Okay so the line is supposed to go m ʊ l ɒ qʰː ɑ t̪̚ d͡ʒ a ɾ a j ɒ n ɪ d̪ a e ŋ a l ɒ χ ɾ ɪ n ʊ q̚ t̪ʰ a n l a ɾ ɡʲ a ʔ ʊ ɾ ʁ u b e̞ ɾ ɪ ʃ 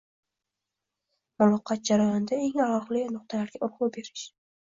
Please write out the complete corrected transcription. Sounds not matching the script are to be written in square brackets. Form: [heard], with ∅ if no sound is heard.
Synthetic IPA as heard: m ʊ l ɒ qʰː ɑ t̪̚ d͡ʒ a ɾ a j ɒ n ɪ d̪ a e ŋ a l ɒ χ [l] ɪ n ʊ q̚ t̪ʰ a [∅] l a ɾ ɡʲ a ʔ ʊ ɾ ʁ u b e̞ ɾ ɪ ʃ